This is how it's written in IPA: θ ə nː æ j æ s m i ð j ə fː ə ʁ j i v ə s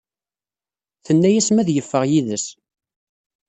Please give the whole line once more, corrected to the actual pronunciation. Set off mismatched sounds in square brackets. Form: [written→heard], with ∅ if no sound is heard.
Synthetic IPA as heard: θ ə nː æ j æ s m [i→æ] ð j ə fː ə ʁ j i [v→ð] ə s